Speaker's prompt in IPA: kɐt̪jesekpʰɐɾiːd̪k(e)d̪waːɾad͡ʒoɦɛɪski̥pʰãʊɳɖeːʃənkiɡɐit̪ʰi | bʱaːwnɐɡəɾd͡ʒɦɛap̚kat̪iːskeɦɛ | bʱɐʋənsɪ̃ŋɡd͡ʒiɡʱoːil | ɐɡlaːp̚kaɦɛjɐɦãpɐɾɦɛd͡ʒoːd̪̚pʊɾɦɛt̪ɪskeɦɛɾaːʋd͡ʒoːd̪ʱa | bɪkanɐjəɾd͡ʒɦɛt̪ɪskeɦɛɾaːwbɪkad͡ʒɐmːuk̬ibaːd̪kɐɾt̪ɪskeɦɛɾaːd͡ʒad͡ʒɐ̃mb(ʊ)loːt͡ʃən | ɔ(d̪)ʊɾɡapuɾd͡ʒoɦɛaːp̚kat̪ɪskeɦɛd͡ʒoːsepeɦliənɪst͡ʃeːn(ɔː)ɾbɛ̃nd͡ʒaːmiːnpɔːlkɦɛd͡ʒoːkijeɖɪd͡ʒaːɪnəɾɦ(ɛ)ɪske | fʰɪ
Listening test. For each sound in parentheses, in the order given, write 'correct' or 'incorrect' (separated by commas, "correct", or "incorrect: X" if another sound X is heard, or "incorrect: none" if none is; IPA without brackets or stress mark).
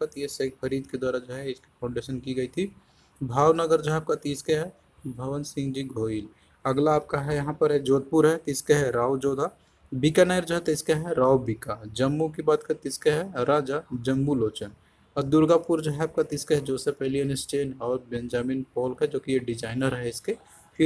correct, incorrect: u, correct, correct, correct